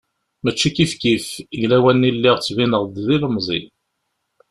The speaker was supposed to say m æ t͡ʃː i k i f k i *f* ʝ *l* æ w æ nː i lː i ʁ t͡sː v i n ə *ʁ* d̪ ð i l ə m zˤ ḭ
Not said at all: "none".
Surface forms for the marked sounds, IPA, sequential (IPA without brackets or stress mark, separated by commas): f, l, ʁ